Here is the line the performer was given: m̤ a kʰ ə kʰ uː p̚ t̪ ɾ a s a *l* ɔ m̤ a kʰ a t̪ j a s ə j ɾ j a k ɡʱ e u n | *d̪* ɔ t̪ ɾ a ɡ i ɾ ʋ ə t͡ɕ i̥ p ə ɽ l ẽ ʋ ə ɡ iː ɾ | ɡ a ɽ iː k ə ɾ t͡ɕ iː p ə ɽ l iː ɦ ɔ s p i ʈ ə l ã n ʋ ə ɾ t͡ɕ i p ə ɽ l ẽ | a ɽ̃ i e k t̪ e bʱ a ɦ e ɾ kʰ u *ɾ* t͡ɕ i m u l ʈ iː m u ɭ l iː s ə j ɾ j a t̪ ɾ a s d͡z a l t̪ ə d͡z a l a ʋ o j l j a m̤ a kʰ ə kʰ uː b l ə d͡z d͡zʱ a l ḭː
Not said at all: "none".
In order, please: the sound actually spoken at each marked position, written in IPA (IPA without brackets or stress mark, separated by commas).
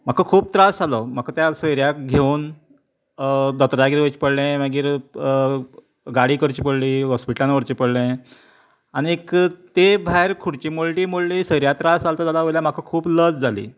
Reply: l, d̪, ɽ